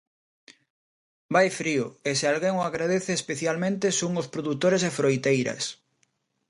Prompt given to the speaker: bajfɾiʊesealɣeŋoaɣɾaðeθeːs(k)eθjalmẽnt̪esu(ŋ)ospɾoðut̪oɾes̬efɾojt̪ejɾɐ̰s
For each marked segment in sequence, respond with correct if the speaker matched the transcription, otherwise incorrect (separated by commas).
incorrect, correct